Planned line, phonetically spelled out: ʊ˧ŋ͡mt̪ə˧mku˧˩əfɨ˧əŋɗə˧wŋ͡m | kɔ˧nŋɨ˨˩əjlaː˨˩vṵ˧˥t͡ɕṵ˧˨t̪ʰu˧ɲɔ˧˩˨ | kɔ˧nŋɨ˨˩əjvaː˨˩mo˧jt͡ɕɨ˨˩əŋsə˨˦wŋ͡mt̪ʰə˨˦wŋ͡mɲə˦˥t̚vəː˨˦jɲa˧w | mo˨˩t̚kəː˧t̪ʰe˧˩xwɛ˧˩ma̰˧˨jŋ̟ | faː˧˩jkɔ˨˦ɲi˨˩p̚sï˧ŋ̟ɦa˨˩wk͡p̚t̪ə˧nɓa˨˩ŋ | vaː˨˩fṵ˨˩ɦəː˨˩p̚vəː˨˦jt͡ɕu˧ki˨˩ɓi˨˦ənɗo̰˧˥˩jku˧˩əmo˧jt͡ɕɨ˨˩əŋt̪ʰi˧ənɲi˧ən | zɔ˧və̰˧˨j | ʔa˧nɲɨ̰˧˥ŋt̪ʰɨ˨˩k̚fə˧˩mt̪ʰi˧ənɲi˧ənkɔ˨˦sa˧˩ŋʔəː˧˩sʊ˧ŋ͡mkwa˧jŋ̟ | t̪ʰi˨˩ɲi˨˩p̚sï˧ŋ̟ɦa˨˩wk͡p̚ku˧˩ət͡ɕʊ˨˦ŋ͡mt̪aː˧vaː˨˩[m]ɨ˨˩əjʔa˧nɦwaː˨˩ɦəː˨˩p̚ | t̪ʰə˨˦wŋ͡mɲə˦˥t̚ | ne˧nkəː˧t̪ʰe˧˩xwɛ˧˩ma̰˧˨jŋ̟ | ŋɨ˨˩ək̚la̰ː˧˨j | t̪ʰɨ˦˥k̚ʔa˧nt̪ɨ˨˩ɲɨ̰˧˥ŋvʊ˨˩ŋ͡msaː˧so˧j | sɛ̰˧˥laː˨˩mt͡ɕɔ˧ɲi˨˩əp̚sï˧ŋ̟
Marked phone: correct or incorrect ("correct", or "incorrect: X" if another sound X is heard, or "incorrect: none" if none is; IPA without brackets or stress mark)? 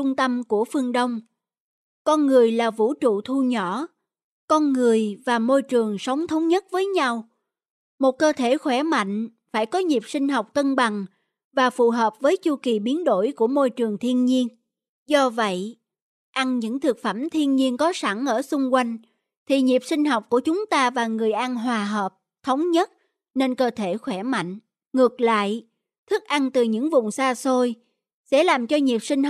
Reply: incorrect: ŋ